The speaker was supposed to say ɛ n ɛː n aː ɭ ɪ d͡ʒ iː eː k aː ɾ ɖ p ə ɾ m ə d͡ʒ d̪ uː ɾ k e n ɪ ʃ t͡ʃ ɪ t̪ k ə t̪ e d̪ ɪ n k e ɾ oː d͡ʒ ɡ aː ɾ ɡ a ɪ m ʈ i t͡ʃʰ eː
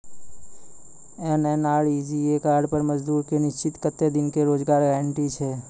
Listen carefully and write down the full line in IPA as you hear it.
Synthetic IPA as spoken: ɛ n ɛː n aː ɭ i d͡ʒ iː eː k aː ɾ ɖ p ə ɾ m ə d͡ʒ d̪ uː ɾ k e n ɪ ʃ t͡ʃ ɪ t̪ k ə t̪ e d̪ ɪ n k e ɾ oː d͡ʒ ɡ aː ɾ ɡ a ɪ ɳ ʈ i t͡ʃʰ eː